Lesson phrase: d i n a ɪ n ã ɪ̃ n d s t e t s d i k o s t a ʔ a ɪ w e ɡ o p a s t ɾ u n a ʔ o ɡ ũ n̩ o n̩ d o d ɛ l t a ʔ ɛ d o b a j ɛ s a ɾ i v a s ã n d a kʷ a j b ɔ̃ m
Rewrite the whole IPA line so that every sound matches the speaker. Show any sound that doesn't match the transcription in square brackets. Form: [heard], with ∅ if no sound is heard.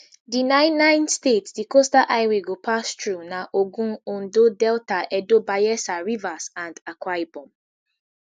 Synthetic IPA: d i n a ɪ n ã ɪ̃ n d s t e t s d i k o s t a ʔ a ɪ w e ɡ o p a s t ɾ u n a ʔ o ɡ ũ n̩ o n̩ d o d ɛ l t a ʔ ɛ d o b a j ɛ s a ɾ i v a s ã n d a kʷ a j b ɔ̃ m